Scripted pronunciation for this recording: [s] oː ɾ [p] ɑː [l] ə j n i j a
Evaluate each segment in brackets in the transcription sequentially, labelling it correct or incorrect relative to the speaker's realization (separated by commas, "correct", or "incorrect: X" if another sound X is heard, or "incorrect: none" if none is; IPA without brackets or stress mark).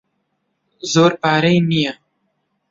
incorrect: z, correct, incorrect: ɾ